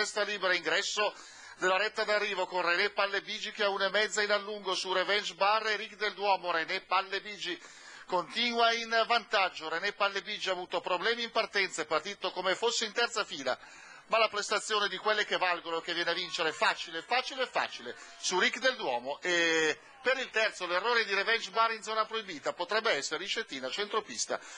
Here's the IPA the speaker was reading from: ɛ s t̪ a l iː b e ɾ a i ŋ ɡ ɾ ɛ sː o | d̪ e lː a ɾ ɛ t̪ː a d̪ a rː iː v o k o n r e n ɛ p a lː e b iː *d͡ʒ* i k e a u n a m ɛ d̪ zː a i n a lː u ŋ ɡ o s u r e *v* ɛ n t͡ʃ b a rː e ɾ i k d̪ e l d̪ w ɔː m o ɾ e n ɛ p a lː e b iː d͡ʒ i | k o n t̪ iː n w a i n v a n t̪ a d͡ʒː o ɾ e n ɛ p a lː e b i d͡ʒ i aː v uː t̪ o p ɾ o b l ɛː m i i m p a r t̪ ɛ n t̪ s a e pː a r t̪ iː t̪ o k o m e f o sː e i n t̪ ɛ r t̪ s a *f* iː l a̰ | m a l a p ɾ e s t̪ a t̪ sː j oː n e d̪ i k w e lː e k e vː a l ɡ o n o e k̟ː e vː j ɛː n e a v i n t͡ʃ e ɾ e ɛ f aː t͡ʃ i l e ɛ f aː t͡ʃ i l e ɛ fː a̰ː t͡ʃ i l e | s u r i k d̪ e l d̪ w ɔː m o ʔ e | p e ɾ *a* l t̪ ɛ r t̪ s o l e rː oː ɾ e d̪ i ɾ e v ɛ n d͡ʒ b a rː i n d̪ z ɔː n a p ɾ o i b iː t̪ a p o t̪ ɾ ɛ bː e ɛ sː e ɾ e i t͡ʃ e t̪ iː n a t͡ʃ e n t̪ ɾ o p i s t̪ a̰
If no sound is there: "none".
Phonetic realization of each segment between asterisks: d͡ʒ, v, f, i

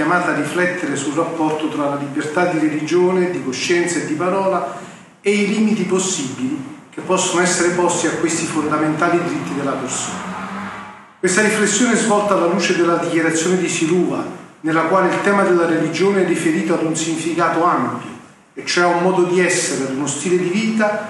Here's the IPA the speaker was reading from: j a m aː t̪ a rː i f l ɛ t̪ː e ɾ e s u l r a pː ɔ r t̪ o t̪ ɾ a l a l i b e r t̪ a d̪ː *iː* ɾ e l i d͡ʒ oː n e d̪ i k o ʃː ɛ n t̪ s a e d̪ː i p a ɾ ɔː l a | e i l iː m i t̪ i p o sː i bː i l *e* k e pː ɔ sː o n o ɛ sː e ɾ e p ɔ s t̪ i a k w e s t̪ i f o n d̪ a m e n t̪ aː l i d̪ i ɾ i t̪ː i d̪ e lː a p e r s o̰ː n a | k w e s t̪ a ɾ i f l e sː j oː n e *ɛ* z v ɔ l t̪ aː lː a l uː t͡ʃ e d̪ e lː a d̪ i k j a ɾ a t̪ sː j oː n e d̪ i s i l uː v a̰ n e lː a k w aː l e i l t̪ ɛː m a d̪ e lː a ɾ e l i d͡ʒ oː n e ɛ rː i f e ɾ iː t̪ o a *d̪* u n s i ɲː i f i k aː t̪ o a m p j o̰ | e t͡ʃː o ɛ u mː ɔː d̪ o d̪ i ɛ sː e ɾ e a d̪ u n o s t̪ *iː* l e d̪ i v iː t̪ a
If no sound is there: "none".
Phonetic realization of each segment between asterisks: i, i, ɛ, d̪, iː

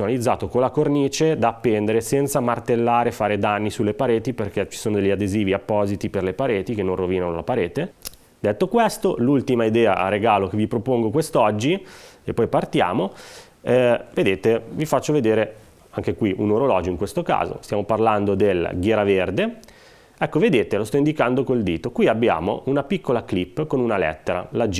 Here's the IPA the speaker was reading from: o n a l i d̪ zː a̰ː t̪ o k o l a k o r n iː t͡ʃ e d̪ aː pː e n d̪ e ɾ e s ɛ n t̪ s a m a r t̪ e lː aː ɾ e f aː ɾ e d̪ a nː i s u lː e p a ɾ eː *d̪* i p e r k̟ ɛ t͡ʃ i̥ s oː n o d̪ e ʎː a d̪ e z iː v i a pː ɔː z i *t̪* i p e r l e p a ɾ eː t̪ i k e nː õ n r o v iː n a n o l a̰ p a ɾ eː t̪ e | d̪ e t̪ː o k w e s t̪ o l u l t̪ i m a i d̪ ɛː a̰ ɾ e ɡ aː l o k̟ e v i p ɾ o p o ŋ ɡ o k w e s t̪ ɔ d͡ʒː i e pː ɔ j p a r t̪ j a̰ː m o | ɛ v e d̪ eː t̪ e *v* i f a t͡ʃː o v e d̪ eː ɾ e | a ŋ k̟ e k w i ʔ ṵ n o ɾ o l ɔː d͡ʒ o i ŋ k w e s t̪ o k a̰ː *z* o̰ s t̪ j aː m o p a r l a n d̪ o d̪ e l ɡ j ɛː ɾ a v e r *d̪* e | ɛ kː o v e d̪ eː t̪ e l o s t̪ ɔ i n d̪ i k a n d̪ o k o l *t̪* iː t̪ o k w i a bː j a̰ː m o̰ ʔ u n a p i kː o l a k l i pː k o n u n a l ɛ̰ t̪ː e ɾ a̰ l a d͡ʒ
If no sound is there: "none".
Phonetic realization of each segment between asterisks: t̪, t̪, v, z, d̪, d̪

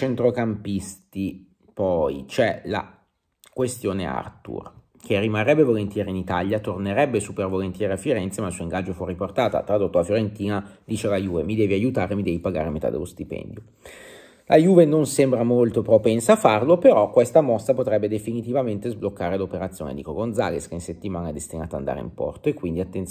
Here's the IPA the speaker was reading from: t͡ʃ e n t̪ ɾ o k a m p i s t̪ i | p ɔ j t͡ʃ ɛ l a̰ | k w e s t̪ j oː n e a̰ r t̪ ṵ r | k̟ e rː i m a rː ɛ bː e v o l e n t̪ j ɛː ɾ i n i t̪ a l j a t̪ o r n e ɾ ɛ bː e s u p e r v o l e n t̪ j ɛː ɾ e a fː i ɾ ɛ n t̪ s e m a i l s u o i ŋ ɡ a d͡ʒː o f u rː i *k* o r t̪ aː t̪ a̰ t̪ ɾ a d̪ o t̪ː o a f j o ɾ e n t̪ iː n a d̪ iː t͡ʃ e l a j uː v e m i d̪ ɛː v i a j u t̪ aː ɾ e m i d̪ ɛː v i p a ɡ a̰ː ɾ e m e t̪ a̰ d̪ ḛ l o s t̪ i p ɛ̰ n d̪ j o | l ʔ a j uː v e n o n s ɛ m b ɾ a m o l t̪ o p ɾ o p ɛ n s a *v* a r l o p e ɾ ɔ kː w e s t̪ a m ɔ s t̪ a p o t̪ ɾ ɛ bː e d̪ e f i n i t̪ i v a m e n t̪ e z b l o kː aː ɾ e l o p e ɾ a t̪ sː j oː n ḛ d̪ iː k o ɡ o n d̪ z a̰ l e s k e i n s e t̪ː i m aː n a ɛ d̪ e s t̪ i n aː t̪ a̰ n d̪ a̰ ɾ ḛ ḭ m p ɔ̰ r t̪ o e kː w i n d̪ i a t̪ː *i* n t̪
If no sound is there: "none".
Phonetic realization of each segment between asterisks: p, f, e

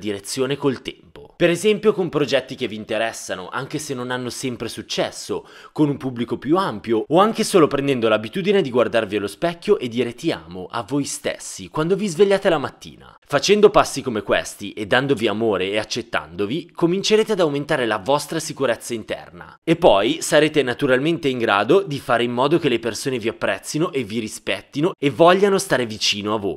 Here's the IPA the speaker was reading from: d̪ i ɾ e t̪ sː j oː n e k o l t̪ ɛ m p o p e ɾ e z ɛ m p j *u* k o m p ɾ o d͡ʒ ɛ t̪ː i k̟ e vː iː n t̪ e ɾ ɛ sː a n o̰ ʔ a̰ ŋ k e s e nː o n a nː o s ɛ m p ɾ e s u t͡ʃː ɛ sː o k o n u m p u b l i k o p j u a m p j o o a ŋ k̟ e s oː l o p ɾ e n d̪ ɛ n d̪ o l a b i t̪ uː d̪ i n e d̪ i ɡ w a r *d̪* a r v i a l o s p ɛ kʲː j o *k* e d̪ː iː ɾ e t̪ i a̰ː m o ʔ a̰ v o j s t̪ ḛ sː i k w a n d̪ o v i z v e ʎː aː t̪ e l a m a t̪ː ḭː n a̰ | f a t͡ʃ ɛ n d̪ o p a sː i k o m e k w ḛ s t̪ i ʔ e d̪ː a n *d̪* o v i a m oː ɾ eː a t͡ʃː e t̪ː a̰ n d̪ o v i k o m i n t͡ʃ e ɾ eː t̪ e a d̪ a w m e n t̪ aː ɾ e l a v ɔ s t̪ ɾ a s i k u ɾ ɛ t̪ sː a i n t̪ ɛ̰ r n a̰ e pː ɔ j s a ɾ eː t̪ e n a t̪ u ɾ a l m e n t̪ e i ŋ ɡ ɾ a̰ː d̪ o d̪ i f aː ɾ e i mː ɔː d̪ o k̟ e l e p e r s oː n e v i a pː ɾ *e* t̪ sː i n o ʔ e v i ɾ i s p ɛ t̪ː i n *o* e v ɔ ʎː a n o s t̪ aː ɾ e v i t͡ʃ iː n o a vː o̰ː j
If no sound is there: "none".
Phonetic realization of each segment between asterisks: o, d̪, ʔ, d̪, ɛ, o

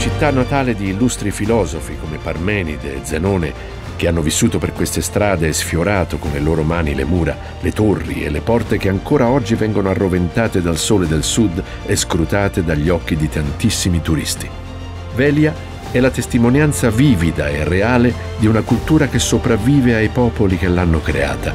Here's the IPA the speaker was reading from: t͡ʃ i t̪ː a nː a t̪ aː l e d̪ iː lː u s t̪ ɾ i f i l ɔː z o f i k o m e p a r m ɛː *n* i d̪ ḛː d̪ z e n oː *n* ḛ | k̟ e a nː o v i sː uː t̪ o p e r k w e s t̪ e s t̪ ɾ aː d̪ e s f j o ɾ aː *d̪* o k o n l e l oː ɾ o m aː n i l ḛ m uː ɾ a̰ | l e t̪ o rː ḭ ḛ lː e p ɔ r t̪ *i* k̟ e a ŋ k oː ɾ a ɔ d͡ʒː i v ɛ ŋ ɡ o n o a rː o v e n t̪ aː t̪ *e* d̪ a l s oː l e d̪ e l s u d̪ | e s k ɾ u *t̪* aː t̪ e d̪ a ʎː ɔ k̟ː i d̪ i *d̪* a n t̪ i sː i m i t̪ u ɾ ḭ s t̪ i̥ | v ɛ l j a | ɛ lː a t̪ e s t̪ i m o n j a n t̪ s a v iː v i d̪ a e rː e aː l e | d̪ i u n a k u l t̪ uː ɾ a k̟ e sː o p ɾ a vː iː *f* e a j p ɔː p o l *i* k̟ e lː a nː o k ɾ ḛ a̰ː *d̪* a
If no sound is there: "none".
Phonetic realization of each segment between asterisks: n, n, t̪, e, e, t̪, t̪, v, i, t̪

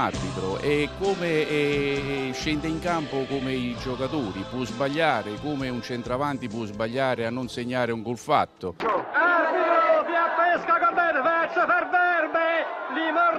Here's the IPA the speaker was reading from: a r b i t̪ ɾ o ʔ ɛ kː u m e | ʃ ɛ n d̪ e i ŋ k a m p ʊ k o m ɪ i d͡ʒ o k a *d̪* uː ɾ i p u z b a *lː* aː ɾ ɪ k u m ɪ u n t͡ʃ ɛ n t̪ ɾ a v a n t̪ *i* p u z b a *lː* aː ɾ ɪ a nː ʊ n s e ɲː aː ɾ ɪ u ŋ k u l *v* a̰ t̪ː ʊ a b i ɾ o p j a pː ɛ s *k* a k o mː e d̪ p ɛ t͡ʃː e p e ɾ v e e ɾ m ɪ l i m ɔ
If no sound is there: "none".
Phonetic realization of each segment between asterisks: t̪, ʎː, i, ʎː, f, k

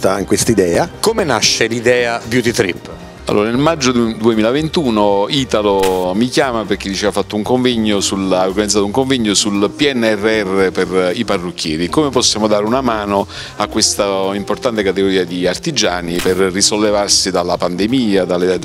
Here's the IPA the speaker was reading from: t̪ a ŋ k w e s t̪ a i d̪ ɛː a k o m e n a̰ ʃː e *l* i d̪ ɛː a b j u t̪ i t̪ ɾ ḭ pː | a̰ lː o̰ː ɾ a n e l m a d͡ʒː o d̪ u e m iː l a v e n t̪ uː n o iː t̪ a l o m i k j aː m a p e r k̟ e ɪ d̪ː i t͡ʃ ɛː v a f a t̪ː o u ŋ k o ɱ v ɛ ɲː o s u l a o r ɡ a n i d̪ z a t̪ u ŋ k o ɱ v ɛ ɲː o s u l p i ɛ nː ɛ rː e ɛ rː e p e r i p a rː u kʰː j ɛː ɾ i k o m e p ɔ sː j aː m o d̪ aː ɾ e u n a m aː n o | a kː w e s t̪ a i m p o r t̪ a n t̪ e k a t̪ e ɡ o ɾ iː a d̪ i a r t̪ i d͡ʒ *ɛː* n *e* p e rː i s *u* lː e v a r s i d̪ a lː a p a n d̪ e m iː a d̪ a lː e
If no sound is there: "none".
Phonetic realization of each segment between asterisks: l, aː, i, o

